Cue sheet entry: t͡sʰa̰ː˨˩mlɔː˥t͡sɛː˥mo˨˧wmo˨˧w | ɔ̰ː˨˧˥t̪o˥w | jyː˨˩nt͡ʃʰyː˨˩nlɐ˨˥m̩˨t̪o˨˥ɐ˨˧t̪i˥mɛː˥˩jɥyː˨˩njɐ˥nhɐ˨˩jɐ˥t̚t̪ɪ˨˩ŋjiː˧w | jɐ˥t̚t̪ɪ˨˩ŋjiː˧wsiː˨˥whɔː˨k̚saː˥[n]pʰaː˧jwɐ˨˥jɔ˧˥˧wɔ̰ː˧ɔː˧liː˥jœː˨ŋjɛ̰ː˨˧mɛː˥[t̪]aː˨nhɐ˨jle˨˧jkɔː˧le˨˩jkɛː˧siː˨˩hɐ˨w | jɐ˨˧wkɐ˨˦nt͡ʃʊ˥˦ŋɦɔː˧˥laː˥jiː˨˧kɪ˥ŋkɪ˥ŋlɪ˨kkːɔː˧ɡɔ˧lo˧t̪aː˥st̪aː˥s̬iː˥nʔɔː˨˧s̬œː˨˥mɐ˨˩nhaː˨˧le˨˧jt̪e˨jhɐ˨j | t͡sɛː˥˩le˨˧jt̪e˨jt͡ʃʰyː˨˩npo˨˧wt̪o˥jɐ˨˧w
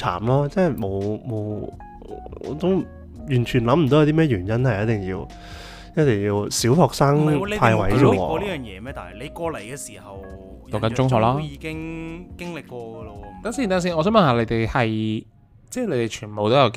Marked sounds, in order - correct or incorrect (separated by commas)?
incorrect, correct